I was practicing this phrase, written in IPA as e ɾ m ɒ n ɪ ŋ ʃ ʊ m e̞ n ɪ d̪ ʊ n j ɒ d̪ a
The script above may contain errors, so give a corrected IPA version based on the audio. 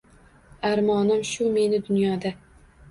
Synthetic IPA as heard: a ɾ m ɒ n ɪ m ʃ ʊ m e̞ n ɪ d̪ ʊ n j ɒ d̪ a